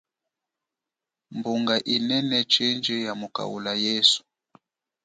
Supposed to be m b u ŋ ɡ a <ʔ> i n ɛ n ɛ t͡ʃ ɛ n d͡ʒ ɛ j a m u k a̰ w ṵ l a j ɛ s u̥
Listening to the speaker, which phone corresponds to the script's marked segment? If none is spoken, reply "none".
ʔ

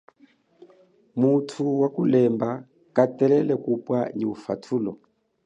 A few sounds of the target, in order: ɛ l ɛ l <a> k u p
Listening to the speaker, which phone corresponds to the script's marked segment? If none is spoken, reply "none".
ɛ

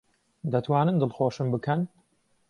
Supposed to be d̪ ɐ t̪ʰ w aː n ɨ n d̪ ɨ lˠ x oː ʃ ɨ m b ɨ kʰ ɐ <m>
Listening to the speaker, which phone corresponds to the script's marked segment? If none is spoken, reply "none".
n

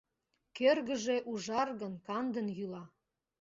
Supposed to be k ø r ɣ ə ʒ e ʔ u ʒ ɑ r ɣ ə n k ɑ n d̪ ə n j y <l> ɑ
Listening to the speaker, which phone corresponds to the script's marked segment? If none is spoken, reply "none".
l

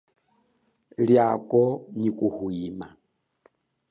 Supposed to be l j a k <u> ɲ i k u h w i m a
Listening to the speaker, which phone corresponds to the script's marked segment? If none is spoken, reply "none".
ɔ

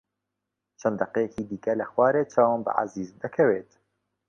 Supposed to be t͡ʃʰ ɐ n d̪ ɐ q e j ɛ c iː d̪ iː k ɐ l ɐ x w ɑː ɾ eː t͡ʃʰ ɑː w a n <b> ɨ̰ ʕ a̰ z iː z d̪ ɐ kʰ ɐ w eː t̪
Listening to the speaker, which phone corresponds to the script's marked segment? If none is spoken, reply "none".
b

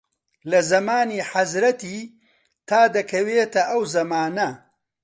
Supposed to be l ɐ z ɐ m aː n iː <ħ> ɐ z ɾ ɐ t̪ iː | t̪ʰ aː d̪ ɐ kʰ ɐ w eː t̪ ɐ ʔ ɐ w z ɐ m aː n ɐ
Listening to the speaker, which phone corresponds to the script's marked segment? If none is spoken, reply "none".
ħ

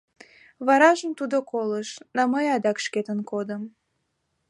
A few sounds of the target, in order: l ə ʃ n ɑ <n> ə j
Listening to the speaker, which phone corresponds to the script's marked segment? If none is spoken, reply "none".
m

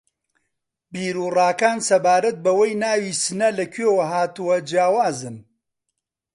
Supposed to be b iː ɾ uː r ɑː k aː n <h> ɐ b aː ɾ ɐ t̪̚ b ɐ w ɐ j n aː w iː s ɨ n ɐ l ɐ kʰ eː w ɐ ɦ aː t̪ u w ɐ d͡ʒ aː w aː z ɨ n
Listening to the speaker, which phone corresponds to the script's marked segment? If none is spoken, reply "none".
s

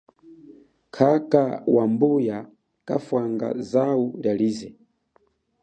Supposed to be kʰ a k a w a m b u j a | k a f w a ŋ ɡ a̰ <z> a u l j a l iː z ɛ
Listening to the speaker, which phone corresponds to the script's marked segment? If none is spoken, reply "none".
z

